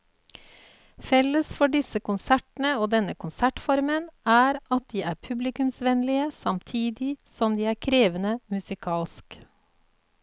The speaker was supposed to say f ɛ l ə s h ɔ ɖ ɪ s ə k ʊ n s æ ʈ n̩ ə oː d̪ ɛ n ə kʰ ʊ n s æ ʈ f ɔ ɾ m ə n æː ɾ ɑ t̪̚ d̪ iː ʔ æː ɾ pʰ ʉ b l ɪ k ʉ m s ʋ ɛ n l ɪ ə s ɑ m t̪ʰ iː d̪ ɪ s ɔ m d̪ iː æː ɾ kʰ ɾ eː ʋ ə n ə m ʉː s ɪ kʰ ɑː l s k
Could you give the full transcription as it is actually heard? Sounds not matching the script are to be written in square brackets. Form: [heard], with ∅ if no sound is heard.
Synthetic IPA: f ɛ l ə s [f] ɔ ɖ ɪ s ə k ʊ n s æ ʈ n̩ ə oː d̪ ɛ n ə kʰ ʊ n s æ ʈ f ɔ ɾ m ə n æː ɾ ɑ t̪̚ d̪ iː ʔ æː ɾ pʰ ʉ b l ɪ k ʉ m s ʋ ɛ n l ɪ ə s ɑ m t̪ʰ iː d̪ ɪ s ɔ m d̪ iː æː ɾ kʰ ɾ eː ʋ ə n ə m [ʉ] s ɪ kʰ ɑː l s k